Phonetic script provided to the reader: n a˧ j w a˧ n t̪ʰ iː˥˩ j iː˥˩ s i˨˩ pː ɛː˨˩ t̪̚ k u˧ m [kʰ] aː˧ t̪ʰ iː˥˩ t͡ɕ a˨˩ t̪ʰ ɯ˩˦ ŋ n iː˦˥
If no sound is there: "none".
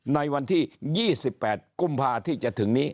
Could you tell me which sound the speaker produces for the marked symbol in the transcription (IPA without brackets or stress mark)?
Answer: pʰ